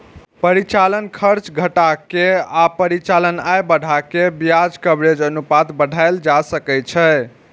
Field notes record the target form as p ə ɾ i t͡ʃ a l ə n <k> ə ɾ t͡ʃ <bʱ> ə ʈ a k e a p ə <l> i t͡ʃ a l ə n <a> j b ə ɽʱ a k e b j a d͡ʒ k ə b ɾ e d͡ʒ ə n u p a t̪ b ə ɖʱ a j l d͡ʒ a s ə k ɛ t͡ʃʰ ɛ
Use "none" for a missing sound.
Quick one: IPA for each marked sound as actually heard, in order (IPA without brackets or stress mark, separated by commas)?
kʰ, ɡʱ, ɾ, a